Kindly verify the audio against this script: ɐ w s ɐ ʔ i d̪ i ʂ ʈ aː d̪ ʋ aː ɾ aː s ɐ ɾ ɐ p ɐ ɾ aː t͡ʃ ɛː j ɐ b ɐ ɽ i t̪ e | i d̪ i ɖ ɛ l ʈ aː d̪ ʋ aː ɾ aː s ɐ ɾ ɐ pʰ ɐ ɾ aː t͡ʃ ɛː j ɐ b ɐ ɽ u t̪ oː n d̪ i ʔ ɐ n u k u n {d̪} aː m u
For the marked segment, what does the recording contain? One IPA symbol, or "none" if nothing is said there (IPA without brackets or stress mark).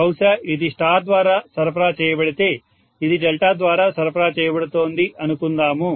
d̪